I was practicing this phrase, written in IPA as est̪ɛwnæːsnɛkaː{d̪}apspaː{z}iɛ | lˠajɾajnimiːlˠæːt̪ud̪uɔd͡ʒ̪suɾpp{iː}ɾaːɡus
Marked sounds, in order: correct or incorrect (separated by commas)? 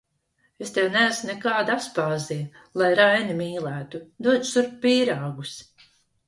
correct, correct, correct